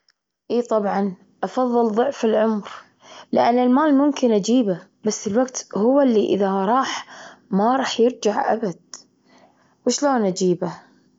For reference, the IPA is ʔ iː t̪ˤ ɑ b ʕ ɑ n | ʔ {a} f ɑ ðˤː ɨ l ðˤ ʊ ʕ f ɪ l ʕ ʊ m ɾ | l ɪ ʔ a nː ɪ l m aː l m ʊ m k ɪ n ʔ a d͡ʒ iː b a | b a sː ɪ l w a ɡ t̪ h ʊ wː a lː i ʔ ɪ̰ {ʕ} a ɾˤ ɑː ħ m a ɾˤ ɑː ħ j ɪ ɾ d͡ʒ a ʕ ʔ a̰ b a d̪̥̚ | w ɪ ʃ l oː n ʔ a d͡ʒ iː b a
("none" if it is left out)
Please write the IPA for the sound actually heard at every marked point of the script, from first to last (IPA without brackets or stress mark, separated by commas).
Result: ɑ, ð